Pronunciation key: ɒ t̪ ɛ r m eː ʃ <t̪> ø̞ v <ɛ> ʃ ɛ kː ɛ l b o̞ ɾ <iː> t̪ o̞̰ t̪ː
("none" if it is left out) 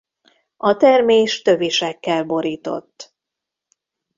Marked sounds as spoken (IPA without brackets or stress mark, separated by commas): t̪, i, iː